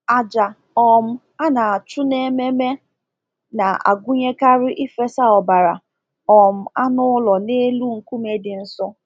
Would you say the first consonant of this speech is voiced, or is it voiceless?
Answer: voiced